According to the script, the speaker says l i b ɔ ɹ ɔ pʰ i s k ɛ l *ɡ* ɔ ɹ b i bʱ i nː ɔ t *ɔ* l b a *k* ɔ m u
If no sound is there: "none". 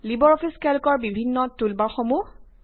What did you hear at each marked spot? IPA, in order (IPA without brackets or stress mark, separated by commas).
k, u, x